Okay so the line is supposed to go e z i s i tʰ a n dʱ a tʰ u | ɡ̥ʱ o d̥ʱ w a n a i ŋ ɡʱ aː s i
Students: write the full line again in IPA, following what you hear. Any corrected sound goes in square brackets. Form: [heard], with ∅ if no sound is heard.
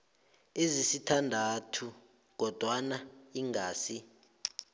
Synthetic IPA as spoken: e z i s i tʰ a n dʱ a tʰ u | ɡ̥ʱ [ɔ] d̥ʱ w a n a i ŋ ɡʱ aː s i

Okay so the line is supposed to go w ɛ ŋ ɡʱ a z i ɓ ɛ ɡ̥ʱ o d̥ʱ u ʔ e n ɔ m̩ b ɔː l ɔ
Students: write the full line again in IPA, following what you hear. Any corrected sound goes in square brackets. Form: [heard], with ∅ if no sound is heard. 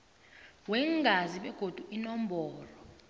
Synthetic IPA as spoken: w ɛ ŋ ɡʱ a z i ɓ ɛ ɡ̥ʱ o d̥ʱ u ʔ [i] n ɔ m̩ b ɔː l ɔ

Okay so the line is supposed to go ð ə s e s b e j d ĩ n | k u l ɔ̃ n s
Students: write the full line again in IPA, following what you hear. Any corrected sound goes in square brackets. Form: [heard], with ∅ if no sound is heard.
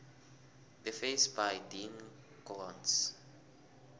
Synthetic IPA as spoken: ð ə [f] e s b [a] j d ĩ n | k [ɔ] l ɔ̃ n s

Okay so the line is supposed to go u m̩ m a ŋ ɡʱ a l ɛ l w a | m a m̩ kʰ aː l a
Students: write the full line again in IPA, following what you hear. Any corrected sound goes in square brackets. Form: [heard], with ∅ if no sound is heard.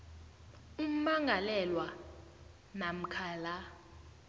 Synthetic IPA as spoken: u m̩ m a ŋ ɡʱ a l ɛ l w a | [n] a m̩ kʰ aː l a

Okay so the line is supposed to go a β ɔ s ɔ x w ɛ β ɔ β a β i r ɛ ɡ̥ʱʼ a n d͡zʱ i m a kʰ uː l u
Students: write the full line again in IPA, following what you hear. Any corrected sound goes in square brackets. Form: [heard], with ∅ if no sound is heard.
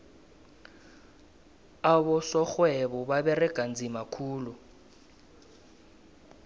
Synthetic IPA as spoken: a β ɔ s ɔ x w ɛ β ɔ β a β [ɛ] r ɛ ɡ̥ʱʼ a n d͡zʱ i m a kʰ uː l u

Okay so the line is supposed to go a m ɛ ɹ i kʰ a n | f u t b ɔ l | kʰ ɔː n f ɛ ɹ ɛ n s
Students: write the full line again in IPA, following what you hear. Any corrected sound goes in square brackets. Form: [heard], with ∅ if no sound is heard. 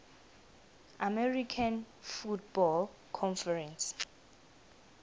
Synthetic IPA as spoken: a m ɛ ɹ i kʰ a n | f u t b ɔ l | kʰ [ɔ] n f ɛ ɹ ɛ n s

